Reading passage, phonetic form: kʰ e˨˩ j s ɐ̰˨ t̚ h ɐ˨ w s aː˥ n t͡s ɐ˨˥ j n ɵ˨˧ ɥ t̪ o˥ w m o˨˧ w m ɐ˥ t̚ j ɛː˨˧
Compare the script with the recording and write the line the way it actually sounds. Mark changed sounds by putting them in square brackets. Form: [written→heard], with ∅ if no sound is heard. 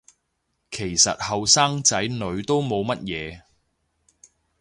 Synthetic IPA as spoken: kʰ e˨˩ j s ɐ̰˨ t̚ h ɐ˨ w s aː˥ [n→ŋ] t͡s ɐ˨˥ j n ɵ˨˧ ɥ t̪ o˥ w m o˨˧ w m ɐ˥ t̚ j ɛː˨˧